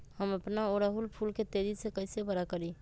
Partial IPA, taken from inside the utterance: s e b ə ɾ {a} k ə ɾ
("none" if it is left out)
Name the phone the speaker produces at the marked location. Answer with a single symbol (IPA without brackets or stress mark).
a